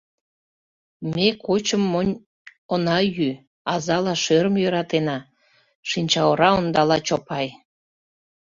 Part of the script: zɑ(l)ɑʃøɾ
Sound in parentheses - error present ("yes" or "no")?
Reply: no